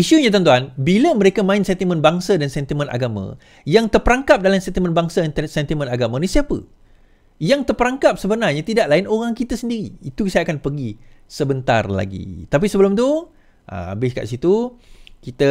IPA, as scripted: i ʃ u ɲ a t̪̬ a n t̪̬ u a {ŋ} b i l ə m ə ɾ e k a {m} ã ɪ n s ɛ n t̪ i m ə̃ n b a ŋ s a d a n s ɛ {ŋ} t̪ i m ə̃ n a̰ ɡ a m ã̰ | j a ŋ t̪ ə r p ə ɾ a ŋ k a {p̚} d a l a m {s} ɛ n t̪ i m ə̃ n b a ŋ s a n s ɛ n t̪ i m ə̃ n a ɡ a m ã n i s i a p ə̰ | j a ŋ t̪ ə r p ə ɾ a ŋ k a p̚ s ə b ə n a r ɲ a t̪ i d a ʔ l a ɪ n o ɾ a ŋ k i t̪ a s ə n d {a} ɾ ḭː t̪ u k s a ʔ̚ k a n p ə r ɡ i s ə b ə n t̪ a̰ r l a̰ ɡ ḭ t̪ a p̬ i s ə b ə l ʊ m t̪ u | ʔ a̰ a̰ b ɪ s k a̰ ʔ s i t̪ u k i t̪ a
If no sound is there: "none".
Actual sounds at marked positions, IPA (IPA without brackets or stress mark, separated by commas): n, m, n, p̚, s, i